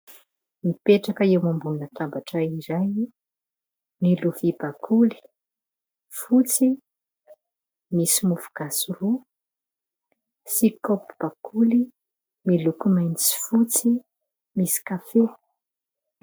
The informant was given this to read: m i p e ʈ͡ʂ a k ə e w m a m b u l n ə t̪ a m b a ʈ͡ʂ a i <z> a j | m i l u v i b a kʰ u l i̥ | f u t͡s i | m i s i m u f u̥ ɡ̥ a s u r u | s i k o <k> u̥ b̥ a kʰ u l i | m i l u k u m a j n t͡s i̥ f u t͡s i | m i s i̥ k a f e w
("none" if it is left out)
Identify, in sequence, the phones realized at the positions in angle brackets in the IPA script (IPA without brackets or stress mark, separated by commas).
z, p